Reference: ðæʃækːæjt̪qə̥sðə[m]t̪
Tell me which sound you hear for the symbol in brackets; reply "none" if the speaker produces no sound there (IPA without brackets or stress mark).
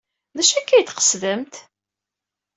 m